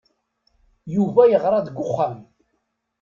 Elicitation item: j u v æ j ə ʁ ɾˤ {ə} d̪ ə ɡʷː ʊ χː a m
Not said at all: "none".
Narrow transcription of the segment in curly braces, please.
ɑ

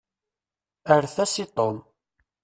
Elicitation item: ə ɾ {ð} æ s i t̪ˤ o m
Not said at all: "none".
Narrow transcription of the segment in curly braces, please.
θ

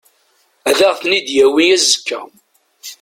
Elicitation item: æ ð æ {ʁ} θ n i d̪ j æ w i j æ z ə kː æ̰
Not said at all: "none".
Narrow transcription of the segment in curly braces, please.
ʁ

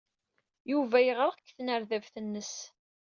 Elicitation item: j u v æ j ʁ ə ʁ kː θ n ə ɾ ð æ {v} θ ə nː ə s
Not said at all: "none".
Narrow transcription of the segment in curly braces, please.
v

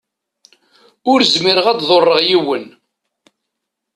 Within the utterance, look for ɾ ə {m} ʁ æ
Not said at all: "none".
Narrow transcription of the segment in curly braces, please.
none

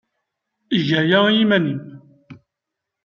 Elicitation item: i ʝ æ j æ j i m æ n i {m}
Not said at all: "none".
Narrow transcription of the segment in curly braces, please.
m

